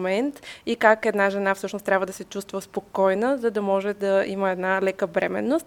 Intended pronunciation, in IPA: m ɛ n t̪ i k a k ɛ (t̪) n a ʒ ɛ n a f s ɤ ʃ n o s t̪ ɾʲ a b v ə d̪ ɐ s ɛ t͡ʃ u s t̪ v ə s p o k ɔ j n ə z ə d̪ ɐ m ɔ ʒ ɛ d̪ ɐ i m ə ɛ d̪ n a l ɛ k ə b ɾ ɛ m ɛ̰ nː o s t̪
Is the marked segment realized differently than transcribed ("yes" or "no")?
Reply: yes